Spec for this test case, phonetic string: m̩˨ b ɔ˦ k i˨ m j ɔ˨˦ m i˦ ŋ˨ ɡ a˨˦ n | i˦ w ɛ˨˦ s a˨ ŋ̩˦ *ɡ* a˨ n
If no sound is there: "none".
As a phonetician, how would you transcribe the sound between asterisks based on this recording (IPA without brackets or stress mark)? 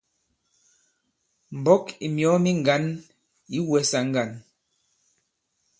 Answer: ɡ